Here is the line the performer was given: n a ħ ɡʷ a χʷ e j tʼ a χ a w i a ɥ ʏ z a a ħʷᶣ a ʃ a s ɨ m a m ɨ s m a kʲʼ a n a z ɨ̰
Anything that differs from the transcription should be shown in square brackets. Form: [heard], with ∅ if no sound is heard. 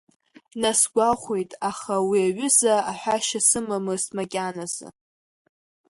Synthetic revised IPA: n a [s] ɡʷ a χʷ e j tʼ a χ a w i a ɥ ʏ z a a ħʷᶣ a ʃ a s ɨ m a m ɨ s m a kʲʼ a n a z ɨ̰